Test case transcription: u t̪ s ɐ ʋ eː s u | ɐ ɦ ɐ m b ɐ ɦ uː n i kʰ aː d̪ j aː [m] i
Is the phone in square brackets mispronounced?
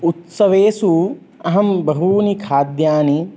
yes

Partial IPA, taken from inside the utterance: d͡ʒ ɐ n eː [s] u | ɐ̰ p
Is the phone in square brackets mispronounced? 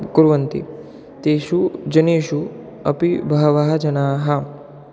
yes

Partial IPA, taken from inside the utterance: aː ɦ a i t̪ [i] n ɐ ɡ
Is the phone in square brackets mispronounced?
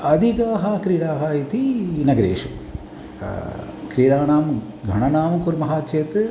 no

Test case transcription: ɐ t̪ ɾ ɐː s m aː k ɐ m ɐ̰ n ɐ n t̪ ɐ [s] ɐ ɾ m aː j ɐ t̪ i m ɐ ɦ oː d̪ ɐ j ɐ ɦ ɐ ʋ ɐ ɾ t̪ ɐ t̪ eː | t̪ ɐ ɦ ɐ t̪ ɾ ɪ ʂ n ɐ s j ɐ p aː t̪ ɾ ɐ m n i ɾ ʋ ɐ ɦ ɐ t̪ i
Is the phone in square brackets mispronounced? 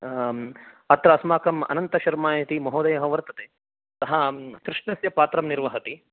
yes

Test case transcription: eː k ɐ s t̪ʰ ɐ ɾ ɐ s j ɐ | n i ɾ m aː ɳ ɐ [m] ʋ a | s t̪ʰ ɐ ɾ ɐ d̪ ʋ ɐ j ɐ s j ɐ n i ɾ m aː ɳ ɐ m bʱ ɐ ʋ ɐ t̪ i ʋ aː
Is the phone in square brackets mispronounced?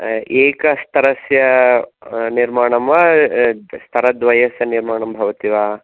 no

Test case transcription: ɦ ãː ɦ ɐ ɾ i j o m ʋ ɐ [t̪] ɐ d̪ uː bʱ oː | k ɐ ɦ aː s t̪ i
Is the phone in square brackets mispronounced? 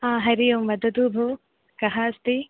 yes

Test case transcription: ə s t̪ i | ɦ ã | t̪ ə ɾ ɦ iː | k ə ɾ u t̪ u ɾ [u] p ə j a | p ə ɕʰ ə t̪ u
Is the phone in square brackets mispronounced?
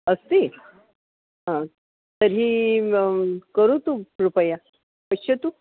no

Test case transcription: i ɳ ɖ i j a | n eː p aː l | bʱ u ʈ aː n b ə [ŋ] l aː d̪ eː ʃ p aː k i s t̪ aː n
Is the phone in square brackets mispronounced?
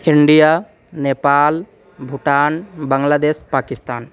no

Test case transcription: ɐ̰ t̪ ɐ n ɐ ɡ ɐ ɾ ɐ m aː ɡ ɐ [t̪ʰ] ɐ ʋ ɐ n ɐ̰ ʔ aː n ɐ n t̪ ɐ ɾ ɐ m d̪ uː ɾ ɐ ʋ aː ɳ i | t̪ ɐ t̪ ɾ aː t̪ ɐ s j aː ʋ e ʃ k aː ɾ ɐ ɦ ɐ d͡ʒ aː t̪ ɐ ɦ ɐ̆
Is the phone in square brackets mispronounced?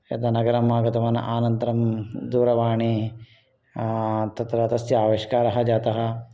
yes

